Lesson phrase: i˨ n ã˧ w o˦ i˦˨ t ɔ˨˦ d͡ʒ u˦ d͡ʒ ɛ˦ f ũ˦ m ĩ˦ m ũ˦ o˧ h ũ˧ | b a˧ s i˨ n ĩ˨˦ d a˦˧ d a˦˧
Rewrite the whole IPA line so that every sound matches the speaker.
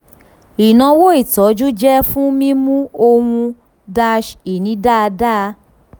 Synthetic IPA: i˨ n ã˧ w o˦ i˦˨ t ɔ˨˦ d͡ʒ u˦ d͡ʒ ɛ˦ f ũ˦ m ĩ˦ m ũ˦ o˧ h ũ˧ | d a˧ ʃ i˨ n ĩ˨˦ d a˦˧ d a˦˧

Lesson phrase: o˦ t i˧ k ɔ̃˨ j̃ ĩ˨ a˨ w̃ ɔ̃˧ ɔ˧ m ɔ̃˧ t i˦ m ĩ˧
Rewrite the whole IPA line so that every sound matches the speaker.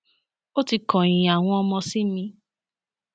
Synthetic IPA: o˦ t i˧ k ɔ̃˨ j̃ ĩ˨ a˨ w̃ ɔ̃˧ ɔ˧ m ɔ̃˧ s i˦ m ĩ˧

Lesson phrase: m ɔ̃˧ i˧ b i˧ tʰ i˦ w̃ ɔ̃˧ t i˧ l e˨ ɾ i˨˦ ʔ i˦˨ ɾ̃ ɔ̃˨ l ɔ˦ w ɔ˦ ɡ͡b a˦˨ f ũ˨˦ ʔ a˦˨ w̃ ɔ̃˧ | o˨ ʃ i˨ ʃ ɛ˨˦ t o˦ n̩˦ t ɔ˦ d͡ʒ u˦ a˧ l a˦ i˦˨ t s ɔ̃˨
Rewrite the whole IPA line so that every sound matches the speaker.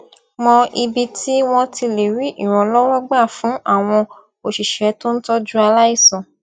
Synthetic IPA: m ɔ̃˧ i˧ b i˧ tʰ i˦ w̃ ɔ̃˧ t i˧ l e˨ ɾ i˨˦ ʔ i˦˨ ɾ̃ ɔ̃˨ l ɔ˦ w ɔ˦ ɡ͡b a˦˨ f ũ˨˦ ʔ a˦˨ w̃ ɔ̃˧ | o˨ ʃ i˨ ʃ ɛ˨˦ t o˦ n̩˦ t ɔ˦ d͡ʒ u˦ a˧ l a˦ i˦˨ s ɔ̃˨

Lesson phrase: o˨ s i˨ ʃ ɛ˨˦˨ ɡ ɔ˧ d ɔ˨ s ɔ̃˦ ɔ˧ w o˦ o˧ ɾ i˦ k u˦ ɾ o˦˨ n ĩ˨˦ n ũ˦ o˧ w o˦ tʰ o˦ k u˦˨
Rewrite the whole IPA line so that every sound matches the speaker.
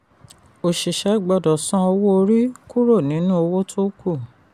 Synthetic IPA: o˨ ʃ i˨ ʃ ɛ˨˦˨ ɡ͡b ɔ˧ d ɔ˨ s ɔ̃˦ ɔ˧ w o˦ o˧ ɾ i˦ k u˦ ɾ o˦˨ n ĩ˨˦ n ũ˦ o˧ w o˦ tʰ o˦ k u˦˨

